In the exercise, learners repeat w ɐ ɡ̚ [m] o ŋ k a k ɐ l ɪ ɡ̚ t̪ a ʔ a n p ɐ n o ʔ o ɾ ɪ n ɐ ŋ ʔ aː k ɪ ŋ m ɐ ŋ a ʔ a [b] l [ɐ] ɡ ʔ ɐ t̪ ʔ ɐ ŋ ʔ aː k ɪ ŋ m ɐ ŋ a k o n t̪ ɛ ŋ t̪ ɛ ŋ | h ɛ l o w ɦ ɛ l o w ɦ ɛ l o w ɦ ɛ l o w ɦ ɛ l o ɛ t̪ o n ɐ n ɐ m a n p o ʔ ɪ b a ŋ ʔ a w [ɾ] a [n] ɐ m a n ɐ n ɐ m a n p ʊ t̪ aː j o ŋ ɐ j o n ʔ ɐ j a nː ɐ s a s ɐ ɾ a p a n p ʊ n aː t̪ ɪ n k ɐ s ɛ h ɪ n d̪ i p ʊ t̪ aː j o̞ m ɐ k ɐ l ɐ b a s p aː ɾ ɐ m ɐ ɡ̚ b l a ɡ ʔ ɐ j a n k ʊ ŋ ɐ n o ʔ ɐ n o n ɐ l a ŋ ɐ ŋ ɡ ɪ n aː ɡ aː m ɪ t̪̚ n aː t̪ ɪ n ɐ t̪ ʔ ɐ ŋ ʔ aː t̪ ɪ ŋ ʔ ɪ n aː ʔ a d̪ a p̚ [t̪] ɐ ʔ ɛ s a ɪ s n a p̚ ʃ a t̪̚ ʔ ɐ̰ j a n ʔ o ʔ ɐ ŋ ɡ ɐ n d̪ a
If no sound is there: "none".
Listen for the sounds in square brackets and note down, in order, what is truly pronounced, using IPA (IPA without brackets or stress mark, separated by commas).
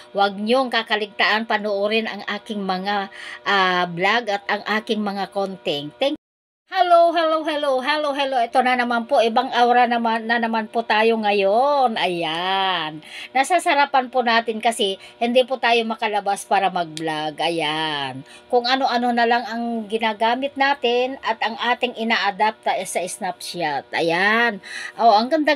ɲ, b, a, ɾ, n, t̪